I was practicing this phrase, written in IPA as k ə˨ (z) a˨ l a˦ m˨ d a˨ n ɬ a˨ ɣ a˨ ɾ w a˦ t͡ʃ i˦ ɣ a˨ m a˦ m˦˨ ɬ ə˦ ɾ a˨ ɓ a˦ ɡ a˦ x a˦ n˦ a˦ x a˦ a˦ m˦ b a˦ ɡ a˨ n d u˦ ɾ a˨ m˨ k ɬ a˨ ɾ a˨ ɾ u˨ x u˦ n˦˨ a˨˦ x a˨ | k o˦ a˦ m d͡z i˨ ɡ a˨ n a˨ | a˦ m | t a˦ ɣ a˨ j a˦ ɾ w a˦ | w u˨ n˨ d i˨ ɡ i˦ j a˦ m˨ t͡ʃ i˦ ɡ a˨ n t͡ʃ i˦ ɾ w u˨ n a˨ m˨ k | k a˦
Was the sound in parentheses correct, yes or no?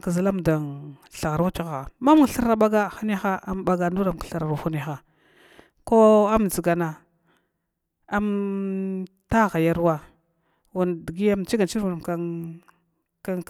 yes